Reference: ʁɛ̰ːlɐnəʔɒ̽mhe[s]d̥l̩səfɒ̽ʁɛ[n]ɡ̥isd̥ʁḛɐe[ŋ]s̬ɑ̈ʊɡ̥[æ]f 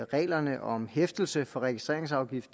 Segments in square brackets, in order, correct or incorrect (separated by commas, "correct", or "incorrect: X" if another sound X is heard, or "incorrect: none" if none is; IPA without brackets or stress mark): incorrect: f, incorrect: none, correct, incorrect: i